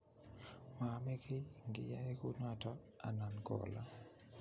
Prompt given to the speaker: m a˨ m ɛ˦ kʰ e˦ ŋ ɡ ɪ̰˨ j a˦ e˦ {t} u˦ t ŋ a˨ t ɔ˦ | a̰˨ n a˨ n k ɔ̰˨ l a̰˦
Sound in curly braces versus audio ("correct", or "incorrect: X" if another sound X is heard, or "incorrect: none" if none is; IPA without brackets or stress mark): incorrect: k